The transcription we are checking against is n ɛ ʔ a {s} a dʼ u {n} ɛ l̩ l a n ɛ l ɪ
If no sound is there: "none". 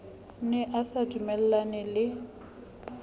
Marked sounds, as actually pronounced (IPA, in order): s, m

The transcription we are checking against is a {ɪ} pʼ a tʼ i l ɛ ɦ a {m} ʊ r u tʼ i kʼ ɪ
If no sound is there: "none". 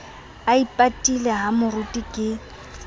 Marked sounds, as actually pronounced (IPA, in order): i, m

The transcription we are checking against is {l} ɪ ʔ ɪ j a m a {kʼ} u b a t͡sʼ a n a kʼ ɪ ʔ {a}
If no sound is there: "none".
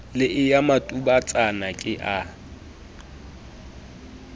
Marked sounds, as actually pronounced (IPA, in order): l, tʼ, a

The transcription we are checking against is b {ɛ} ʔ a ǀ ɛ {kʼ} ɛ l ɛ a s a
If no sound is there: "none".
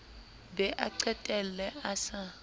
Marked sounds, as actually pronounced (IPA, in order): ɛ, tʼ

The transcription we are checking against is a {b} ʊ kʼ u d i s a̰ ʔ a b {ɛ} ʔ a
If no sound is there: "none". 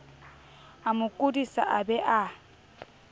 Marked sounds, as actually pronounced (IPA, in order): m, ɛ

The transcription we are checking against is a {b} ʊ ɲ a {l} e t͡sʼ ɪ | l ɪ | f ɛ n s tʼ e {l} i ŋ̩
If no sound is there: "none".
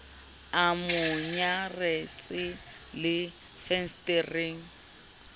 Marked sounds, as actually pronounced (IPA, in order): m, r, r

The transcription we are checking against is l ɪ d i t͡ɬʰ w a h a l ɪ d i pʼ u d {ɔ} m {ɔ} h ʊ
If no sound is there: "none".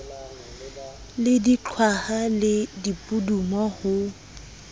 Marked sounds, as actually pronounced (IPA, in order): u, ɔ

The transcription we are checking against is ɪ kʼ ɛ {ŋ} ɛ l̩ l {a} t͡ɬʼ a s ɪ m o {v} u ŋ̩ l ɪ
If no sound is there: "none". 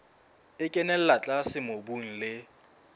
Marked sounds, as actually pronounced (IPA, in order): n, a, b

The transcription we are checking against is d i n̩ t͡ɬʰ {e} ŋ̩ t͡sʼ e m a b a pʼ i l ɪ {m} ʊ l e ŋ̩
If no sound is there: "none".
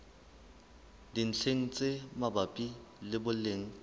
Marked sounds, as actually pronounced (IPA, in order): e, b

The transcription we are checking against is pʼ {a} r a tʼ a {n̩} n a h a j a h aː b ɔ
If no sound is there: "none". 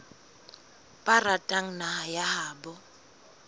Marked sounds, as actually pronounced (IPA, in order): a, ŋ̩

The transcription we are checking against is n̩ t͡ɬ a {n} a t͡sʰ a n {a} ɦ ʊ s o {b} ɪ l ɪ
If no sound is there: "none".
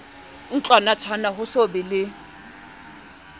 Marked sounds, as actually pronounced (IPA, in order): n, a, b

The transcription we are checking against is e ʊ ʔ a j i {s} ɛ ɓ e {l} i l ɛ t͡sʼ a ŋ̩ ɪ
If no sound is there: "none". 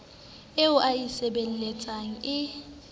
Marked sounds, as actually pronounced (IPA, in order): s, l

